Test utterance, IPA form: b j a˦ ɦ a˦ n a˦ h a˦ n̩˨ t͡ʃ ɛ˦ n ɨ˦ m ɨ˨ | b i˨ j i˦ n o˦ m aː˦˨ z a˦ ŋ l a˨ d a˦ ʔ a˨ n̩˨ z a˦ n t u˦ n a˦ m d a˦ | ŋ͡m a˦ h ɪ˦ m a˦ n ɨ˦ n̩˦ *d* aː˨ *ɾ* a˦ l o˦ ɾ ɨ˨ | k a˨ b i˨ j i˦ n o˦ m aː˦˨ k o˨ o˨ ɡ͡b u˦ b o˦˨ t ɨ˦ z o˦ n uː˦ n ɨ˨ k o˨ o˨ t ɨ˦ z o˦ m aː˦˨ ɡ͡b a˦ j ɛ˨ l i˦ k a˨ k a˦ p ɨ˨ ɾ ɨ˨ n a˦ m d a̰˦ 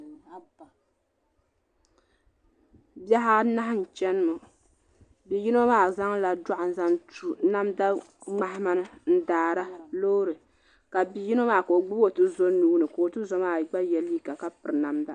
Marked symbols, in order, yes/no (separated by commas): yes, yes